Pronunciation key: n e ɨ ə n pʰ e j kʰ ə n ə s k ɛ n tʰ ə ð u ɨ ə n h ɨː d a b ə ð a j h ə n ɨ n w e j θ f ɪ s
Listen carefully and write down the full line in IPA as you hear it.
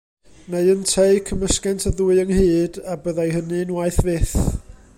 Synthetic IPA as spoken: n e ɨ ə n tʰ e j kʰ ə m ə s k ɛ n tʰ ə ð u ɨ ə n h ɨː d a b ə ð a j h ə n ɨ n w a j θ v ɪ θ